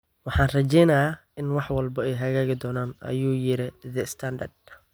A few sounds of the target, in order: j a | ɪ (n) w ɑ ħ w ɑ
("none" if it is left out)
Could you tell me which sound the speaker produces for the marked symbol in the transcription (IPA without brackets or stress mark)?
n